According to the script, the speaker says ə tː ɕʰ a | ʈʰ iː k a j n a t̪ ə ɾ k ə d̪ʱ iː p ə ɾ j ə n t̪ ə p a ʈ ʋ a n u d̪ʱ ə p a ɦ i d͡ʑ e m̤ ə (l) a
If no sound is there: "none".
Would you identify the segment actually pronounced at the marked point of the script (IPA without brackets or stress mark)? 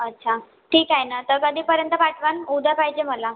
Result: l